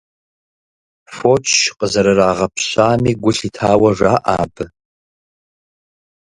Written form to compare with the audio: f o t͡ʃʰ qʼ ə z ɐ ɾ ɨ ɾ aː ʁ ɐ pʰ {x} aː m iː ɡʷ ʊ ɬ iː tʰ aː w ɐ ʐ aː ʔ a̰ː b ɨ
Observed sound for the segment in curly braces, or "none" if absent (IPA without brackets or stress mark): ɕ